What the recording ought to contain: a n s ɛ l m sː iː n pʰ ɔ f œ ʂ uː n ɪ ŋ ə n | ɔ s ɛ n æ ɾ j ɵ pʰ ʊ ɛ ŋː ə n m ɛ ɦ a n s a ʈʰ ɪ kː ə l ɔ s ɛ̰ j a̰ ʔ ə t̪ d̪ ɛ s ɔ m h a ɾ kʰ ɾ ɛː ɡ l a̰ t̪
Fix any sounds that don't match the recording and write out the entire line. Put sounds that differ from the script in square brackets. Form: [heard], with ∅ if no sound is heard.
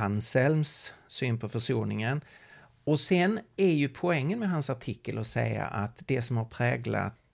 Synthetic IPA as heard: a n s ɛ l m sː [yː] n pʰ ɔ f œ ʂ uː n ɪ ŋ ə n | ɔ s ɛ n æ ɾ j ɵ pʰ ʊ ɛ ŋː ə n m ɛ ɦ a n s a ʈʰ ɪ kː ə l ɔ s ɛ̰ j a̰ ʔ [a] t̪ d̪ ɛ s ɔ m h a ɾ [pʰ] ɾ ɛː ɡ l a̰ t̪